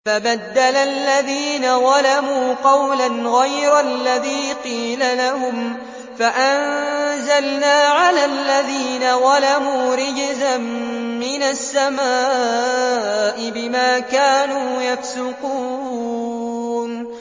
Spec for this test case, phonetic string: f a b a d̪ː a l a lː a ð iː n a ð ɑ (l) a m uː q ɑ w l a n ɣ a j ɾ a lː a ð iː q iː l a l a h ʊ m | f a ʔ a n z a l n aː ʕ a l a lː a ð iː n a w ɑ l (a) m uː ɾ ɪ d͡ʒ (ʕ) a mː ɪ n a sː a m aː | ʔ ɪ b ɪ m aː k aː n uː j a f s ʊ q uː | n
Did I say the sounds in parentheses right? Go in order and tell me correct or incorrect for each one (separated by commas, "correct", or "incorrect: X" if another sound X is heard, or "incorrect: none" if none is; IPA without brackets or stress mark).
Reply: correct, correct, incorrect: z